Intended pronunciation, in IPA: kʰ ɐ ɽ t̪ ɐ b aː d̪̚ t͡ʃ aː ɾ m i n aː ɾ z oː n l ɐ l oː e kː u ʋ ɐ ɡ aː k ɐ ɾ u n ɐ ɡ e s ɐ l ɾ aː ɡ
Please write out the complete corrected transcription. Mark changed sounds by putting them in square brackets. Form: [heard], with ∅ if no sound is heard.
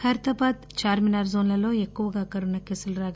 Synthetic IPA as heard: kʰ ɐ [ɾ] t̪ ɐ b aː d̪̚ t͡ʃ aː ɾ m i n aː ɾ z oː n l ɐ l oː e kː u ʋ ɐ ɡ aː k ɐ ɾ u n ɐ [k] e s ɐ l ɾ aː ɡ